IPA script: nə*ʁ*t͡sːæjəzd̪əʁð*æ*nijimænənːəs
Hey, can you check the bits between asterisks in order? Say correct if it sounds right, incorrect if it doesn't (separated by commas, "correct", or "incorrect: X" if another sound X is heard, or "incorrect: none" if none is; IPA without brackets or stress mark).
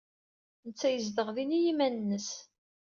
incorrect: none, incorrect: i